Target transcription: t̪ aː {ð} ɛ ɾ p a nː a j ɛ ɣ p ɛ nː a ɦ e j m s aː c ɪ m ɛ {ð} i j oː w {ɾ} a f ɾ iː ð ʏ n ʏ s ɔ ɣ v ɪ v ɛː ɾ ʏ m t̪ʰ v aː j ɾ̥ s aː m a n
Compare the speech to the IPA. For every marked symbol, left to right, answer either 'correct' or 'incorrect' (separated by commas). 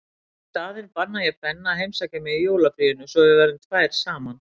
correct, correct, incorrect